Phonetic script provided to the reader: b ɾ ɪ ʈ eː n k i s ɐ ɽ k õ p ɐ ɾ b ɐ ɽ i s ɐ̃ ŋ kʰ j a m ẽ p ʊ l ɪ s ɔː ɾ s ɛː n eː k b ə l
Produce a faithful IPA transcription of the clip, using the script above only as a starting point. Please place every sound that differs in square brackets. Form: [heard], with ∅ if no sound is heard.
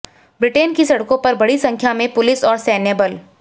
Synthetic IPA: b ɾ ɪ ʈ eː n k i s ɐ ɽ k õ p ɐ ɾ b ɐ ɽ i s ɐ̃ ŋ kʰ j a m ẽ p ʊ l ɪ s ɔː ɾ s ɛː n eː [∅] b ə l